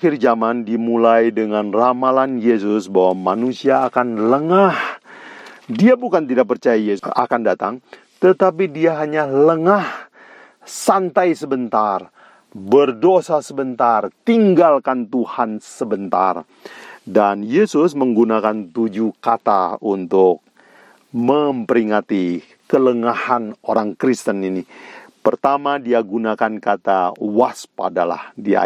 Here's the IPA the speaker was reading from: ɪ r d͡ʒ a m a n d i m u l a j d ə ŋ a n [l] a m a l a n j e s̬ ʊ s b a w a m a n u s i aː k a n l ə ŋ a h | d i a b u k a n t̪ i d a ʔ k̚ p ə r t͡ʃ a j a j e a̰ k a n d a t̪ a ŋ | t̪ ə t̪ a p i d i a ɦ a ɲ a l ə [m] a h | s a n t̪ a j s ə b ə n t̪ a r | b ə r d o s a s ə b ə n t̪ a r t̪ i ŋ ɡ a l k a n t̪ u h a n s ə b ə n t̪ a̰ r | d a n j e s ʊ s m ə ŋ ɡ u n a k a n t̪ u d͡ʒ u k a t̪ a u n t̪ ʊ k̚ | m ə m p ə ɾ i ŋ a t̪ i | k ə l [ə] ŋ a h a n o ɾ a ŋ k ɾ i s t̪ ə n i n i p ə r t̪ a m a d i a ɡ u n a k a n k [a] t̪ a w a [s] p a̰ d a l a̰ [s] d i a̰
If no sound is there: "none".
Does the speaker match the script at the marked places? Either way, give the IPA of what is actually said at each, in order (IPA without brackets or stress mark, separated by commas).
r, ŋ, ə, a, s, h